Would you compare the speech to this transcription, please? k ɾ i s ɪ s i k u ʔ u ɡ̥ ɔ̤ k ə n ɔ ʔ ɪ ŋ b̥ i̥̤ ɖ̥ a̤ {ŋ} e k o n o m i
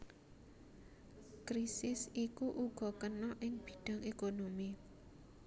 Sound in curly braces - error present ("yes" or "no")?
no